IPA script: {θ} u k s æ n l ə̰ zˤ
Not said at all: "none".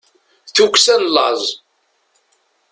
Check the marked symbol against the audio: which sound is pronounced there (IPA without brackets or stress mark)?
θ